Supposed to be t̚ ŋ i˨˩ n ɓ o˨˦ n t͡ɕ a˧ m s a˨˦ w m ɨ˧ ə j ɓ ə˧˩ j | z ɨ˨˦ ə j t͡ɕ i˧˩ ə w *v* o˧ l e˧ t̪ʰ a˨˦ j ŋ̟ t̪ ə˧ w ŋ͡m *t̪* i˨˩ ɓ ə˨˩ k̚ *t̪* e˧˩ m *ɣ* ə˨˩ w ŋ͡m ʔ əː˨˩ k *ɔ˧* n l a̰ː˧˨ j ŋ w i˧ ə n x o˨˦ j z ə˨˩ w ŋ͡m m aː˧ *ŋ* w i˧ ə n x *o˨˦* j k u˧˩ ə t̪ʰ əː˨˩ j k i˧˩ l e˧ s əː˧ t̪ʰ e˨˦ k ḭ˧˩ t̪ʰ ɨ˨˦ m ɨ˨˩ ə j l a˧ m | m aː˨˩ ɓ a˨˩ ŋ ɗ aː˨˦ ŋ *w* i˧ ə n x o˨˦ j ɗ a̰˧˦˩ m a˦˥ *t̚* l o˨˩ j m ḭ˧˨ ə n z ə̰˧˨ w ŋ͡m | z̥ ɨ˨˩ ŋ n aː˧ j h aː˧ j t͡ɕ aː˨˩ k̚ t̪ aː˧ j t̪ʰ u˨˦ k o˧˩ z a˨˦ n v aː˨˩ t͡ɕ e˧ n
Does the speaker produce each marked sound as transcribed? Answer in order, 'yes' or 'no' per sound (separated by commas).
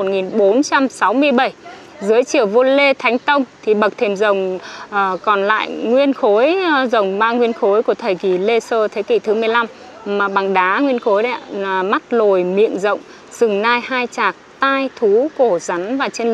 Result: yes, no, no, no, no, yes, yes, yes, yes